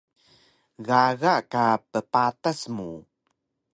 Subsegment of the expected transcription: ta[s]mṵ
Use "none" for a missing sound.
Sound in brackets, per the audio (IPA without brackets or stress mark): s